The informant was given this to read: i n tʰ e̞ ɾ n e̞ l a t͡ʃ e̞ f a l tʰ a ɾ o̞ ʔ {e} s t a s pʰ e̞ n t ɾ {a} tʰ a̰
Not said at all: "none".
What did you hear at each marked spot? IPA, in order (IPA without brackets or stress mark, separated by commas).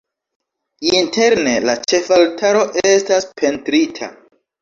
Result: e, i